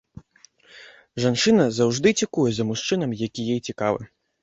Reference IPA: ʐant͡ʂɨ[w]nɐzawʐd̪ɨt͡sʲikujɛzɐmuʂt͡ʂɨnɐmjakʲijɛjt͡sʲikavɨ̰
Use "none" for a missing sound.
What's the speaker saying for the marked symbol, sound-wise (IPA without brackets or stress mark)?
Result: none